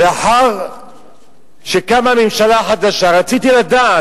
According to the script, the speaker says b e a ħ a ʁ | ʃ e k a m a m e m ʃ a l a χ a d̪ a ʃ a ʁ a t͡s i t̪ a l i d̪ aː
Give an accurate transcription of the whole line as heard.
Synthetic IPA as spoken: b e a ħ a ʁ | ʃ e k a m a m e m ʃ a l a ħ a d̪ a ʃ a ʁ a t͡s i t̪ i l a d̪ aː